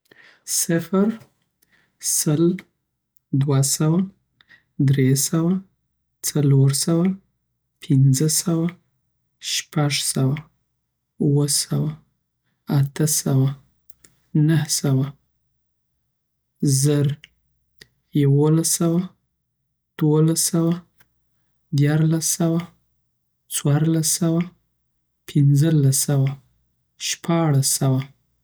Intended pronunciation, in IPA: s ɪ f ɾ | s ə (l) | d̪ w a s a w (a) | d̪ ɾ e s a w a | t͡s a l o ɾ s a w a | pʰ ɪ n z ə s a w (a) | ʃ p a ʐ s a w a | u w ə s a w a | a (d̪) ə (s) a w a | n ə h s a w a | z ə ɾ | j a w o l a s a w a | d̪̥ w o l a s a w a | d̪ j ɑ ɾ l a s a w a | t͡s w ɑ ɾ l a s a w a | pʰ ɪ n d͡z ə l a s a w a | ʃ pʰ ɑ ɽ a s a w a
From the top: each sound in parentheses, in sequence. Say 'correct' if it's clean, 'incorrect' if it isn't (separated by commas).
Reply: correct, correct, correct, incorrect, correct